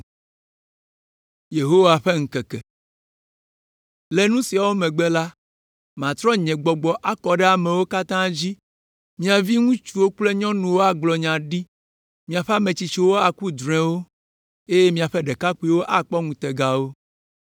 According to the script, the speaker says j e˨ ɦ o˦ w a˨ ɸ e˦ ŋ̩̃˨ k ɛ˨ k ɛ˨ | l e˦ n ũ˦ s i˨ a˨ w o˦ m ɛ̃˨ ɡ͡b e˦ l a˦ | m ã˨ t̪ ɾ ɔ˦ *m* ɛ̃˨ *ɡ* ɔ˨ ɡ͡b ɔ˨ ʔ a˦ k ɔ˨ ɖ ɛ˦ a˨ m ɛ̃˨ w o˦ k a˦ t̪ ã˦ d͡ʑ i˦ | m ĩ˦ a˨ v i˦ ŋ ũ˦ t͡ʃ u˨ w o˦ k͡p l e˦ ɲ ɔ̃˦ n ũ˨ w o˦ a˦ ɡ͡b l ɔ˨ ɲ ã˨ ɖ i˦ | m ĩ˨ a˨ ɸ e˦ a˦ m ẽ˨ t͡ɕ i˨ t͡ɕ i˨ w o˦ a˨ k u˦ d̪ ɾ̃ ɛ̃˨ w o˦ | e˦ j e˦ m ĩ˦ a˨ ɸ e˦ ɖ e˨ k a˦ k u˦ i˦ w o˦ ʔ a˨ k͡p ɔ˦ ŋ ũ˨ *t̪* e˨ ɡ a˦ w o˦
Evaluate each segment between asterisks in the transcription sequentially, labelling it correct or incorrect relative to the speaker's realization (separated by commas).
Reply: incorrect, incorrect, correct